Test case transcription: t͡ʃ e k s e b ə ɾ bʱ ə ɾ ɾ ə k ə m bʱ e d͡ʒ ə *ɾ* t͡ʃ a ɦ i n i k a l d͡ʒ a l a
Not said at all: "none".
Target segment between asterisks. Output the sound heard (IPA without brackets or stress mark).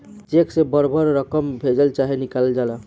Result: l